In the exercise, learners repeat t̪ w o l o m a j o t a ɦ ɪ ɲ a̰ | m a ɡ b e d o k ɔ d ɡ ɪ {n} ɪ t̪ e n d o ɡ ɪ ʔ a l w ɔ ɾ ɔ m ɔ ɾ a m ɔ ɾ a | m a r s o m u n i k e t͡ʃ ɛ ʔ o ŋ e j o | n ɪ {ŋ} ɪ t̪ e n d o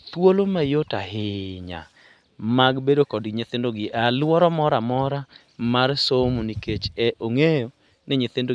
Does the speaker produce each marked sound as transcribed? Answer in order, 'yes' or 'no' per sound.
no, no

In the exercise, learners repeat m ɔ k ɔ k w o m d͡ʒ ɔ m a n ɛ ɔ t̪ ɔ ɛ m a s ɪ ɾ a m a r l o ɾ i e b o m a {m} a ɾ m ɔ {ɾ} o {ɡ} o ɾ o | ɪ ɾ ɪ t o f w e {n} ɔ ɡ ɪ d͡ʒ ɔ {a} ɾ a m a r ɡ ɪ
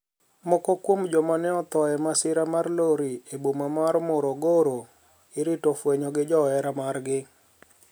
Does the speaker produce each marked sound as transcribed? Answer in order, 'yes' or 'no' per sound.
yes, yes, yes, no, no

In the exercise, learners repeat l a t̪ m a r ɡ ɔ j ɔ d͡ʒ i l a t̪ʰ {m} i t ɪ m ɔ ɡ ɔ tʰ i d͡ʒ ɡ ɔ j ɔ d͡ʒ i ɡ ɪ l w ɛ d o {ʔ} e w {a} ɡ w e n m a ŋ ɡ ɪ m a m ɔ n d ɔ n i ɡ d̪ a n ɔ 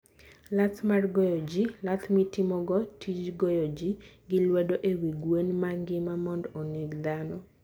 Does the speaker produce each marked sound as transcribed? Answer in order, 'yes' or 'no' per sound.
yes, yes, no

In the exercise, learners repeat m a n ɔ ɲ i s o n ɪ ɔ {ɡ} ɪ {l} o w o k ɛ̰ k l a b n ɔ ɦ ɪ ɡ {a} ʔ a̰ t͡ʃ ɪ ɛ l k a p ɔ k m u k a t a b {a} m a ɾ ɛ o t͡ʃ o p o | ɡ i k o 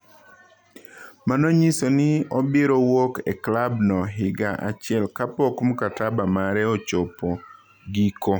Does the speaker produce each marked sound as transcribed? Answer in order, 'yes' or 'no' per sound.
no, no, yes, yes

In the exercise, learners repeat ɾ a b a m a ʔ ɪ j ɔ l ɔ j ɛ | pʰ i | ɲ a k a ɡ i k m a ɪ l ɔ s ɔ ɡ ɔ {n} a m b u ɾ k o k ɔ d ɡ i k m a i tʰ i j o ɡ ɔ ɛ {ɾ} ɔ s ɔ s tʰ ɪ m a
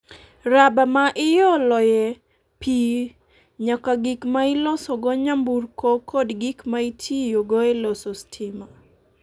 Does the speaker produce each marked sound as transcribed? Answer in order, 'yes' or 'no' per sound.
no, no

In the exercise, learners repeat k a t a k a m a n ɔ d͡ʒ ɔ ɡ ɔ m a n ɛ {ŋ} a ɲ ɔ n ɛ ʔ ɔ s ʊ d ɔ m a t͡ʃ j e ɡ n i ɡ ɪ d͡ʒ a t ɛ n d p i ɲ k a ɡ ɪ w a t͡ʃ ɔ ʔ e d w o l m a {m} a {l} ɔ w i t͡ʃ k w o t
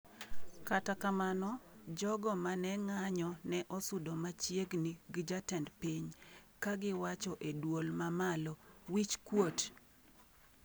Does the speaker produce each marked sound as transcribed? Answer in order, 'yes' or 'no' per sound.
yes, yes, yes

